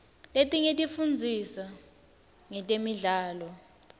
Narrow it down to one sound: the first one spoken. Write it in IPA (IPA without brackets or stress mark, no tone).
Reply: l